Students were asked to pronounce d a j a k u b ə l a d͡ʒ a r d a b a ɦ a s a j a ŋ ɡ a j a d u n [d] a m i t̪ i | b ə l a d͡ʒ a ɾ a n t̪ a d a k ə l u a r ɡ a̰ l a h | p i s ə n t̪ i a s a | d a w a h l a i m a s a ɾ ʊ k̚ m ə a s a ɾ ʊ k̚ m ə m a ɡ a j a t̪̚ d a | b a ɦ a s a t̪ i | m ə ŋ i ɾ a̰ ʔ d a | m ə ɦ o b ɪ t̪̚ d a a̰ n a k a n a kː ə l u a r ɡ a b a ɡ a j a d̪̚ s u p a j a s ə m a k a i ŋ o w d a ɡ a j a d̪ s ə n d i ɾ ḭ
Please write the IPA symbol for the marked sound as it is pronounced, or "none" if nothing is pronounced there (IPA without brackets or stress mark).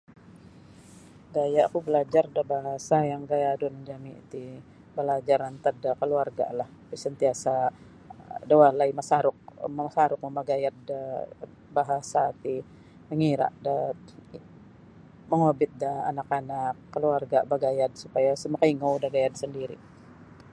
d͡ʒ